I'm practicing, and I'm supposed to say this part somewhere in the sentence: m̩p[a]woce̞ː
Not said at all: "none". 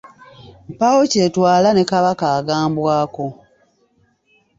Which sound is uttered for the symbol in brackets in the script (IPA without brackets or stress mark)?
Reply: a